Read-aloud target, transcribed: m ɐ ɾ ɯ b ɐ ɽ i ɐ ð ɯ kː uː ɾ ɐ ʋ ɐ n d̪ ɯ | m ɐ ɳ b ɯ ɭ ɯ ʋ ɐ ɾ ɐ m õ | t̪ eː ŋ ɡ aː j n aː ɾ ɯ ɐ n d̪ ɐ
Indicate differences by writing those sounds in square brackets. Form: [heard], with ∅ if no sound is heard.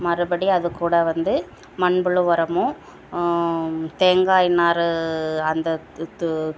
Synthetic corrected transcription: m ɐ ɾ ɯ b ɐ ɽ i ɐ ð ɯ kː uː [ɽ] ɐ ʋ ɐ n d̪ ɯ | m ɐ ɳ b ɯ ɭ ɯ ʋ ɐ ɾ ɐ m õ | t̪ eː ŋ ɡ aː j n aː ɾ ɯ ɐ n d̪ ɐ

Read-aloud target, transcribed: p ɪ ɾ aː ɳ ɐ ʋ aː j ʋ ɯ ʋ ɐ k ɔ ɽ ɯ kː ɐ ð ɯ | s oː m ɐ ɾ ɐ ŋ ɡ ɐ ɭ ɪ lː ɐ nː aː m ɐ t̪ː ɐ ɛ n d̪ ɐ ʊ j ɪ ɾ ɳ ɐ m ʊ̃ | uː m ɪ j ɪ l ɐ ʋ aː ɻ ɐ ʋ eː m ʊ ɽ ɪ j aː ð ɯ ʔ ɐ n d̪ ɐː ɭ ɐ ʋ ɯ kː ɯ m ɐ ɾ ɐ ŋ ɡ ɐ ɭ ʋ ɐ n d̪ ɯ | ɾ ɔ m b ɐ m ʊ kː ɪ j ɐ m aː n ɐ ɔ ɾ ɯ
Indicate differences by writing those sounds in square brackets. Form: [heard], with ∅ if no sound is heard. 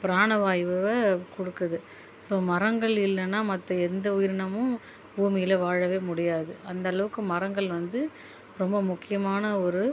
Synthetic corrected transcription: p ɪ ɾ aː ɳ ɐ ʋ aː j ʋ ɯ ʋ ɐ k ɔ ɽ ɯ kː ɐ ð ɯ | s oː m ɐ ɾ ɐ ŋ ɡ ɐ ɭ ɪ lː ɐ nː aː m ɐ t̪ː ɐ ɛ n d̪ ɐ ʊ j ɪ ɾ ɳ ɐ m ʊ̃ | uː m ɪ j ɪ l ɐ ʋ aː ɻ ɐ ʋ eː m ʊ ɽ ɪ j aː ð ɯ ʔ ɐ n d̪ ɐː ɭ ɐ ʋ ɯ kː ɯ m ɐ ɾ ɐ ŋ ɡ ɐ ɭ ʋ ɐ n d̪ ɯ | ɾ ɔ m b ɐ m ʊ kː ɪ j ɐ m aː n ɐ ɔ ɾ ɯ

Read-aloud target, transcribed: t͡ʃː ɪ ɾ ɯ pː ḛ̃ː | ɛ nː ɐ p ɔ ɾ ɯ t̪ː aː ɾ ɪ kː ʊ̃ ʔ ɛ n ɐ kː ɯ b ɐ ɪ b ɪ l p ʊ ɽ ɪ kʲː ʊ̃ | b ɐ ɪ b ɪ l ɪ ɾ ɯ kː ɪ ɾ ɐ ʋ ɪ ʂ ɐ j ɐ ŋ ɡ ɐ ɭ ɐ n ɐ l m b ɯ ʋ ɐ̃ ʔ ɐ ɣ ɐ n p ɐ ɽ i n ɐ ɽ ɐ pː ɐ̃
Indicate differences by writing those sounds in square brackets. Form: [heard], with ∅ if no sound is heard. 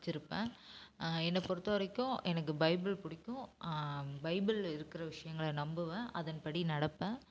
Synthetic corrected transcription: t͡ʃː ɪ ɾ ɯ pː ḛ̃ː | ɛ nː ɐ p ɔ ɾ ɯ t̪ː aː ɾ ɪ kː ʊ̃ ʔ ɛ n ɐ kː ɯ b ɐ ɪ b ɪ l p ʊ ɽ ɪ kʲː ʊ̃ | b ɐ ɪ b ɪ l ɪ ɾ ɯ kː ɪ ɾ ɐ ʋ ɪ ʂ ɐ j ɐ ŋ ɡ ɐ ɭ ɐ n ɐ [∅] m b ɯ ʋ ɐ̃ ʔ ɐ [ð] ɐ n p ɐ ɽ i n ɐ ɽ ɐ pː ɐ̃

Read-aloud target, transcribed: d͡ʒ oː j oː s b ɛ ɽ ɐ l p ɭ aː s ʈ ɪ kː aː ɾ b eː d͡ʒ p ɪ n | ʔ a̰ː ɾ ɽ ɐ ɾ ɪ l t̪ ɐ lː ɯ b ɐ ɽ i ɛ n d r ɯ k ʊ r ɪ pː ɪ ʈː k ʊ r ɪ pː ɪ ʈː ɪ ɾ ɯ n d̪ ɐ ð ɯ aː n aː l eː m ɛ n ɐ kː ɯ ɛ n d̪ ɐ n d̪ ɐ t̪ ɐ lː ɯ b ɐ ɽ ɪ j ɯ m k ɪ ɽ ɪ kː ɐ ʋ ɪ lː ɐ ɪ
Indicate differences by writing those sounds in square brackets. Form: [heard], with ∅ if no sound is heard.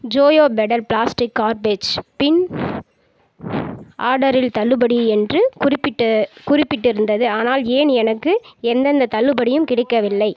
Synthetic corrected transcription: d͡ʒ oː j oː [∅] b ɛ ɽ ɐ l p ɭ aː s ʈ ɪ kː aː ɾ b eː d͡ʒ p ɪ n | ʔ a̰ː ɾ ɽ ɐ ɾ ɪ l t̪ ɐ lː ɯ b ɐ ɽ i ɛ n d r ɯ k ʊ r ɪ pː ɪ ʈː k ʊ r ɪ pː ɪ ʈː ɪ ɾ ɯ n d̪ ɐ ð ɯ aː n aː l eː [n] ɛ n ɐ kː ɯ ɛ n d̪ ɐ n d̪ ɐ t̪ ɐ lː ɯ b ɐ ɽ ɪ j ɯ m k ɪ ɽ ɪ kː ɐ ʋ ɪ lː ɐ ɪ

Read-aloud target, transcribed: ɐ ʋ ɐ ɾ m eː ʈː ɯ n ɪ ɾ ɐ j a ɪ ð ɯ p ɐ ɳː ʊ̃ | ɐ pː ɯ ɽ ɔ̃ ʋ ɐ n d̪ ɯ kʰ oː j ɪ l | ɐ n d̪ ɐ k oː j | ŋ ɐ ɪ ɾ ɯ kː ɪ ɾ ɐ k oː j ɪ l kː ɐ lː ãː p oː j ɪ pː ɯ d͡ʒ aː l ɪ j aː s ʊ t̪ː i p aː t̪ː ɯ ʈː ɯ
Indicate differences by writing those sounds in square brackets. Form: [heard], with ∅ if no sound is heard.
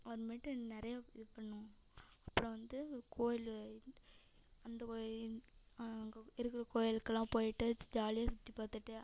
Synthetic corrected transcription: ɐ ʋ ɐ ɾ m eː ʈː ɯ n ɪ ɾ ɐ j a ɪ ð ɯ p ɐ ɳː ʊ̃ | ɐ pː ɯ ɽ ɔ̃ ʋ ɐ n d̪ ɯ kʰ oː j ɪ l | ɐ n d̪ ɐ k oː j | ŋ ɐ ɪ ɾ ɯ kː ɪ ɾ ɐ k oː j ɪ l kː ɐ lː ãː p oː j ɪ [ʈː] ɯ d͡ʒ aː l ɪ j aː s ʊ t̪ː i p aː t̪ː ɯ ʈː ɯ

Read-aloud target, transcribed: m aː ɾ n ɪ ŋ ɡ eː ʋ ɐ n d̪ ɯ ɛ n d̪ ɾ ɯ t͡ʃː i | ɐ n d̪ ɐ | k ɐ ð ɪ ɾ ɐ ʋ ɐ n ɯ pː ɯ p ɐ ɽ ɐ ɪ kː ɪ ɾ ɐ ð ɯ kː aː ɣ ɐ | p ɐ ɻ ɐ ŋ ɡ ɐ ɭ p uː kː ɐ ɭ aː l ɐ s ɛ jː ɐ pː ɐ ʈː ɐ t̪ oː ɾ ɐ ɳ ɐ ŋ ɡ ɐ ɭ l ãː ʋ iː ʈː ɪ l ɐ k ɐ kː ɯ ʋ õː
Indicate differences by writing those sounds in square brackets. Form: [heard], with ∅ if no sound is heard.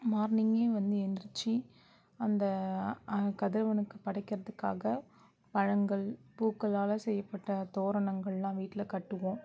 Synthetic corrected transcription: m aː ɾ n ɪ ŋ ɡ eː ʋ ɐ n d̪ ɯ ɛ n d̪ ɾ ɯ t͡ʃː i | ɐ n d̪ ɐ | k ɐ ð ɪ ɾ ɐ ʋ ɐ n ɯ [kː] ɯ p ɐ ɽ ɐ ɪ kː ɪ ɾ ɐ ð ɯ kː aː ɣ ɐ | p ɐ ɻ ɐ ŋ ɡ ɐ ɭ p uː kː ɐ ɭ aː l ɐ s ɛ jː ɐ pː ɐ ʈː ɐ t̪ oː ɾ ɐ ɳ ɐ ŋ ɡ ɐ ɭ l ãː ʋ iː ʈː ɪ l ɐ k ɐ [ʈː] ɯ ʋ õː

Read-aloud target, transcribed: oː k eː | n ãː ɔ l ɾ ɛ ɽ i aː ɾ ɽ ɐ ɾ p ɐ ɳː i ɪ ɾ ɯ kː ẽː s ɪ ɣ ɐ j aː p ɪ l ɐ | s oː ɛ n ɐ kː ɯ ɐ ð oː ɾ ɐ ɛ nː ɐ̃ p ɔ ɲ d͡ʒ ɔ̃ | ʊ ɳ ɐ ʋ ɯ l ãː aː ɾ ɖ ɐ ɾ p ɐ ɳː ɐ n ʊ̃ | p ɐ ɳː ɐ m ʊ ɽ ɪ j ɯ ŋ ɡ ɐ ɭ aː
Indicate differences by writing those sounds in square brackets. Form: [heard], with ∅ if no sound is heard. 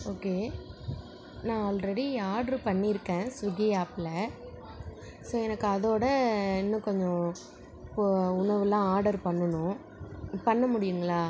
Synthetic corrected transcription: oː k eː | n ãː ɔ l ɾ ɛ ɽ i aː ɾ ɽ ɐ ɾ p ɐ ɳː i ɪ ɾ ɯ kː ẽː s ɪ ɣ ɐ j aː p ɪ l ɐ | s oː ɛ n ɐ kː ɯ ɐ ð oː [ɽ] ɐ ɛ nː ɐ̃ [k] ɔ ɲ d͡ʒ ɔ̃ | ʊ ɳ ɐ ʋ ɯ l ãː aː ɾ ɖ ɐ ɾ p ɐ ɳː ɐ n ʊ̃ | p ɐ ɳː ɐ m ʊ ɽ ɪ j ɯ ŋ ɡ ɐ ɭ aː

